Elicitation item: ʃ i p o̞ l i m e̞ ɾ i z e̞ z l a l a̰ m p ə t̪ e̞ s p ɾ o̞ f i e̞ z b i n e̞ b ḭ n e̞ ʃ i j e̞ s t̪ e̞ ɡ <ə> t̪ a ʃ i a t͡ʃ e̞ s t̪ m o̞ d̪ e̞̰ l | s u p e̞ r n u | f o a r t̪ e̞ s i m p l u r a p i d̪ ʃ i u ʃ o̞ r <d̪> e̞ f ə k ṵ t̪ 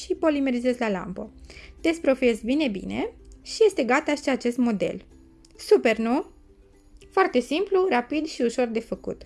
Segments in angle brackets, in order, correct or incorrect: incorrect: a, correct

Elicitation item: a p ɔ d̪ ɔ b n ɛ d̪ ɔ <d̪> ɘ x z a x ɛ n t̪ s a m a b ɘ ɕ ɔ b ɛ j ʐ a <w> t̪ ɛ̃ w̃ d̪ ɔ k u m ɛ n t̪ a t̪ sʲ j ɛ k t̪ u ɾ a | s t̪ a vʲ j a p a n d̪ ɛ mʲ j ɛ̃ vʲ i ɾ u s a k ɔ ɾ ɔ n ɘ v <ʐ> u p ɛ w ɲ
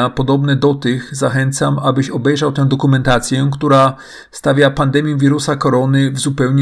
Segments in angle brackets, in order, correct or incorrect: incorrect: t̪, correct, incorrect: z

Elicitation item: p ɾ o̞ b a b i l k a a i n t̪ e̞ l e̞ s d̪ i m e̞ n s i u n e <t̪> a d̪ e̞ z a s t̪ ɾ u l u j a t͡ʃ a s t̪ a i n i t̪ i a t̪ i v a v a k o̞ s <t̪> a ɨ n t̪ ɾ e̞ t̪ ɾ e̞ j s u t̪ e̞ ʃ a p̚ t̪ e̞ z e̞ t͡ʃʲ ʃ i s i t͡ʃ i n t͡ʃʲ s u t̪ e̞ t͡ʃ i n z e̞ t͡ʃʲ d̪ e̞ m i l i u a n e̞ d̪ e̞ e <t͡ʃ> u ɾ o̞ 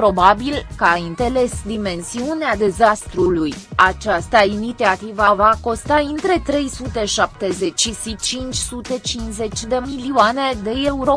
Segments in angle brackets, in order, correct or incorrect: incorrect: none, correct, incorrect: none

